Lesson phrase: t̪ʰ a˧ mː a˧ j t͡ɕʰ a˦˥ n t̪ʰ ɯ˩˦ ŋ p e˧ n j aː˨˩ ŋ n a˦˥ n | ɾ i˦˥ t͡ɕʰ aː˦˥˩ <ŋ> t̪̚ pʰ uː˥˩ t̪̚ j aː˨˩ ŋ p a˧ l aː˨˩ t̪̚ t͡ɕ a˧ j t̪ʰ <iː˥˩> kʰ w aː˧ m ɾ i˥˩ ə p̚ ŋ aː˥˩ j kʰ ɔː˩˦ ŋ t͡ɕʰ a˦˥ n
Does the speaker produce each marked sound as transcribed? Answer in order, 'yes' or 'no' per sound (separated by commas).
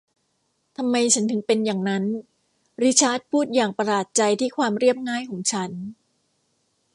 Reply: no, yes